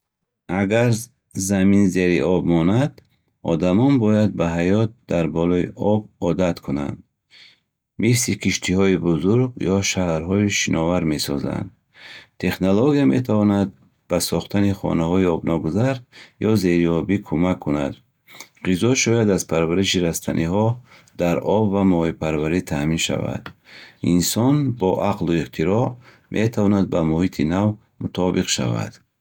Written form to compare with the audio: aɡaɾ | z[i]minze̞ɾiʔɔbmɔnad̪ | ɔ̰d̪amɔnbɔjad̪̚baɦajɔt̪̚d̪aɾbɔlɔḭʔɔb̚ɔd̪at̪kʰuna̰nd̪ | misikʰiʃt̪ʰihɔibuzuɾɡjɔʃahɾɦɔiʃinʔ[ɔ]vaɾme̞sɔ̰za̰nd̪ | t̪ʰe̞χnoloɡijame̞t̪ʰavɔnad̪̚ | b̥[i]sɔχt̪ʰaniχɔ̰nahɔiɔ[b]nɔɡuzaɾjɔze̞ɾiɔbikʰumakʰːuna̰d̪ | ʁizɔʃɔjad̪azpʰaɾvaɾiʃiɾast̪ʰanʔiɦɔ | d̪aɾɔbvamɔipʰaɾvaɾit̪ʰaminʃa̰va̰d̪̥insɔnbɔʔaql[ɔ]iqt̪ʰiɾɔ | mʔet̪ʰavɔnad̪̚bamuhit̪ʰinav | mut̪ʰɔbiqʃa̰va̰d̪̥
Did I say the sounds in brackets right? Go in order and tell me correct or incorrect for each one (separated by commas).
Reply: incorrect, correct, incorrect, correct, incorrect